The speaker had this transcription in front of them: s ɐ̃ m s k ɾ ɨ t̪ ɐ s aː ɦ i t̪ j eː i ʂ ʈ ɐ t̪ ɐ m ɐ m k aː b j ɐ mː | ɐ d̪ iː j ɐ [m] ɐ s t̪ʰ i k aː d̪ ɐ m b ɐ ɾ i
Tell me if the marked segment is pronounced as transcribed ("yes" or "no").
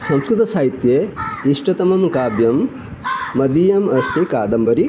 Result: yes